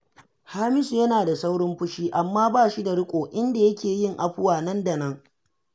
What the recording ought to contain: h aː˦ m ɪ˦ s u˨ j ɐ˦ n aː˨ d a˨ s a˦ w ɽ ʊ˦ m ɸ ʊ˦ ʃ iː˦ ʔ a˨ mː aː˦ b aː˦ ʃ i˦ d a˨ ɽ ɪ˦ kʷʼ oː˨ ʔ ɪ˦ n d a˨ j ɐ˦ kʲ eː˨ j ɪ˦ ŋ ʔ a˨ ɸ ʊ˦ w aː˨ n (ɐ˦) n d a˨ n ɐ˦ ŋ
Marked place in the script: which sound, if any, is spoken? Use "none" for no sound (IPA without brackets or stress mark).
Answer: ɐ˦